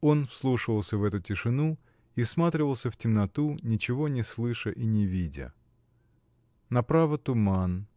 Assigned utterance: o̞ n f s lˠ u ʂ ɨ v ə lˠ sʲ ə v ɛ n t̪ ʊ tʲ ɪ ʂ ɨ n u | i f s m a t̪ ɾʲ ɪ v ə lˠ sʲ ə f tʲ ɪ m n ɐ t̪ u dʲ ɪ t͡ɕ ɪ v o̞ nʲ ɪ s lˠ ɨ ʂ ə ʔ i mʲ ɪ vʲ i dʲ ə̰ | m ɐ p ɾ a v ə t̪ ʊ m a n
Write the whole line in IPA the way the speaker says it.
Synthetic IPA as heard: o̞ n f s lˠ u ʂ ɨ v ə lˠ sʲ ə v ɛ t̪ ʊ tʲ ɪ ʂ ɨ n u | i f s m a t̪ ɾʲ ɪ v ə lˠ sʲ ə f tʲ ɪ m n ɐ t̪ u nʲ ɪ t͡ɕ ɪ v o̞ nʲ ɪ s lˠ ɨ ʂ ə ʔ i nʲ ɪ vʲ i dʲ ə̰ | n ɐ p ɾ a v ə t̪ ʊ m a n